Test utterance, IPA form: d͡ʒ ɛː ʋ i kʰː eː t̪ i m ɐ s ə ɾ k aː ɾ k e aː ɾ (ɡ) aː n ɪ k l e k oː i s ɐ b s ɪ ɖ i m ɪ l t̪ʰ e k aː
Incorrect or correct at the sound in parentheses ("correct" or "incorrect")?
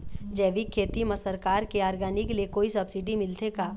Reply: correct